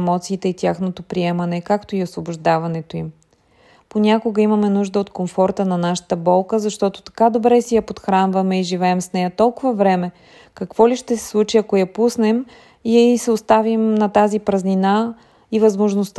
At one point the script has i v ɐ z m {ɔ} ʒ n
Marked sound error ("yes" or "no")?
yes